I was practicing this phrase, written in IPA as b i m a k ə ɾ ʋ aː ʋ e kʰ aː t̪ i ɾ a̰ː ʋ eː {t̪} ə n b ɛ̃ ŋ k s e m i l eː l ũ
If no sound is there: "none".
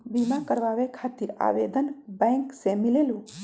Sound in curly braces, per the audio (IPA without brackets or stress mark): d̪